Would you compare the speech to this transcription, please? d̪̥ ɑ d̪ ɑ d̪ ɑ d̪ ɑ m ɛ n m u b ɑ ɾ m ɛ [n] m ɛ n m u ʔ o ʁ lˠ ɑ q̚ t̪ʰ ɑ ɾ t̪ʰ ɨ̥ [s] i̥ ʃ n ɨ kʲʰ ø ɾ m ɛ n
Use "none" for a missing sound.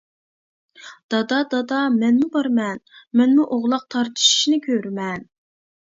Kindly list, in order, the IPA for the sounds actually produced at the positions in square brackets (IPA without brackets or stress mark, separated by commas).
n, ʃ